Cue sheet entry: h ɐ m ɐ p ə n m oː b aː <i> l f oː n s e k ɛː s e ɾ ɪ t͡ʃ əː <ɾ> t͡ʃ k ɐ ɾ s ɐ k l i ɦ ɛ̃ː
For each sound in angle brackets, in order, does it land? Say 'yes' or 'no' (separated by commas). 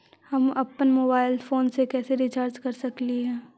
no, yes